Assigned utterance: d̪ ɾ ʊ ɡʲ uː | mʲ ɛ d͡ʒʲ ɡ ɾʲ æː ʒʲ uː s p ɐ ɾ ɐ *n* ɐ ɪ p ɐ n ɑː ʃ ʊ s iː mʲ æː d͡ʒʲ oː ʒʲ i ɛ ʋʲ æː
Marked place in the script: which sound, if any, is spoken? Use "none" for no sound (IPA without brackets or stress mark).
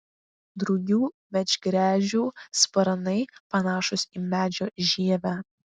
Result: n